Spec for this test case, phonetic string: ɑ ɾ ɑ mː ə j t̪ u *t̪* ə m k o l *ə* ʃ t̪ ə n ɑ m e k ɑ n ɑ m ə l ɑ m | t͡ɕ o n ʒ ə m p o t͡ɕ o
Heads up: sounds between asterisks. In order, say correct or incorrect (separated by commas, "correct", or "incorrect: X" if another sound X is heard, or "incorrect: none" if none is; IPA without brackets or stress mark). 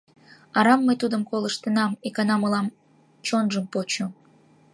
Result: incorrect: d̪, correct